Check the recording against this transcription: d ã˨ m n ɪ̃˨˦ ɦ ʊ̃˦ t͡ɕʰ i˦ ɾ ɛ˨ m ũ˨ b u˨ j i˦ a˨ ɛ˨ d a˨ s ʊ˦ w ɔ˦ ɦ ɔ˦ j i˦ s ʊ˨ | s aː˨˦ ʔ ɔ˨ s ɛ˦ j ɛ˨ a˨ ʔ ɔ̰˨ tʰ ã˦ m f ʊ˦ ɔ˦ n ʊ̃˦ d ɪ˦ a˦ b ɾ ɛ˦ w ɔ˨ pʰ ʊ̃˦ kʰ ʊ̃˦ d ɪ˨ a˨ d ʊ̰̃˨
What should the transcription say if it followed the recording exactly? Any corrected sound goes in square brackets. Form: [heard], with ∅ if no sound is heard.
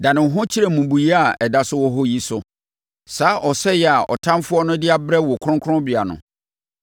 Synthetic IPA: d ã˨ [∅] n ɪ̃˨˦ ɦ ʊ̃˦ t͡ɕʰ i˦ ɾ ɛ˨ m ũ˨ b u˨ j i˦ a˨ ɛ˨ d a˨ s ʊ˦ w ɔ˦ ɦ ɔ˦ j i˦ s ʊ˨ | s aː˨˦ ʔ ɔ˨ s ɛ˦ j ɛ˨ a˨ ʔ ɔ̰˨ tʰ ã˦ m f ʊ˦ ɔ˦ n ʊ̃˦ d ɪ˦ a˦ b ɾ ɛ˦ w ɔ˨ [kʰ] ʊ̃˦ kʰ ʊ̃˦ [b] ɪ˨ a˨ [n] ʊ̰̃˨